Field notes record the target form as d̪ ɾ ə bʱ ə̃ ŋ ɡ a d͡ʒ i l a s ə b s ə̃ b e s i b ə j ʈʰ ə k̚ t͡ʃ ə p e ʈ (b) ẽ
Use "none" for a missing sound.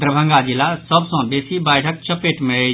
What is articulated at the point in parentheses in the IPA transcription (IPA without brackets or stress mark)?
m